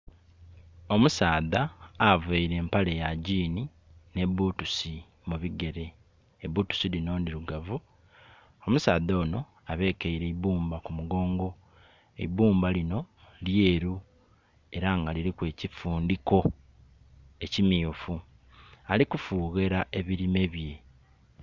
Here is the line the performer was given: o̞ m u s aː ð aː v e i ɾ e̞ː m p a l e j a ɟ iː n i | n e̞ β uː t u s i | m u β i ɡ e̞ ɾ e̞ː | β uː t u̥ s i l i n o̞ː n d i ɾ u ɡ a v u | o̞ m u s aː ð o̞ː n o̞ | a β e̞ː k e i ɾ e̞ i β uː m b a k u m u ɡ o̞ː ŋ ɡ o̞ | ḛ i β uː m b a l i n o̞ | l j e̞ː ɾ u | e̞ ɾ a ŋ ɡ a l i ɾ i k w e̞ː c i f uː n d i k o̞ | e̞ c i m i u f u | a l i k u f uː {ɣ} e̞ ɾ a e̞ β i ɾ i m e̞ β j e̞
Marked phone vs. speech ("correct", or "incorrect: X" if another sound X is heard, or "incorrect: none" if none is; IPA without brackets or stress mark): correct